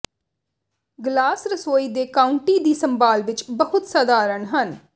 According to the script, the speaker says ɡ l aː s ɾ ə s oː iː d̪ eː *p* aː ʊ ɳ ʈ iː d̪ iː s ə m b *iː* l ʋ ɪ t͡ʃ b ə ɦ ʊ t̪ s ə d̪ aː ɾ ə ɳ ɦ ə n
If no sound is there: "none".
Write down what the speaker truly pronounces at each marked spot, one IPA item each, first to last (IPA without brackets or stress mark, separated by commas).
k, aː